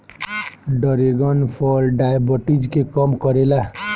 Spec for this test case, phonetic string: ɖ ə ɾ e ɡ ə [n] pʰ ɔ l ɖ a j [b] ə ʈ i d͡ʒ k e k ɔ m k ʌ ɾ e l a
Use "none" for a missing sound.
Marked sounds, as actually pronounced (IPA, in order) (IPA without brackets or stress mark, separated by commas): n, b